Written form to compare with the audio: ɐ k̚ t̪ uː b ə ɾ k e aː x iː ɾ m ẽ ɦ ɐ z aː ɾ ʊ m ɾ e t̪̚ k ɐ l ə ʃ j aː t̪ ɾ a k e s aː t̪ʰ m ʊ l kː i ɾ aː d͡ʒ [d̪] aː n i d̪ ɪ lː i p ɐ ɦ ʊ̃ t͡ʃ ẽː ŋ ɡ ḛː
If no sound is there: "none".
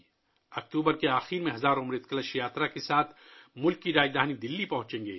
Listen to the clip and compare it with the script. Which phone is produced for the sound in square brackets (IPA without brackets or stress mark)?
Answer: d̪